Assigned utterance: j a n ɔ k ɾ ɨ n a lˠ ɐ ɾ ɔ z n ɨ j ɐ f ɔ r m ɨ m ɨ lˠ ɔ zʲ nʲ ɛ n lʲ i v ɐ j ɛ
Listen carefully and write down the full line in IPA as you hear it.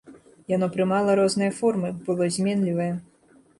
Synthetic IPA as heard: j a n ɔ p ɾ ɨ m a lˠ ɐ ɾ ɔ z n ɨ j ɐ f ɔ r m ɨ b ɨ lˠ ɔ zʲ mʲ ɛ n lʲ i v ɐ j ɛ